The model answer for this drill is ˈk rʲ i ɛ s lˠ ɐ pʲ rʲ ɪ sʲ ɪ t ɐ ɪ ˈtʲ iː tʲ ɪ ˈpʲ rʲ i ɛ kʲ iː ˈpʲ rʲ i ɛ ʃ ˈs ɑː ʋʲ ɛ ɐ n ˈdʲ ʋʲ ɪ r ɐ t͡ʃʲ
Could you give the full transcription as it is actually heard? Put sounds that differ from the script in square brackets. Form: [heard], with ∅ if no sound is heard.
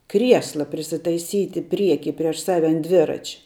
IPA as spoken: ˈk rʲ i ɛ s lˠ ɐ pʲ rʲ ɪ sʲ ɪ t ɐ ɪ [ˈsʲ] iː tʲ ɪ ˈpʲ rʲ i ɛ kʲ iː ˈpʲ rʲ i ɛ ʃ ˈs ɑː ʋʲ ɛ ɐ n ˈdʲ ʋʲ ɪ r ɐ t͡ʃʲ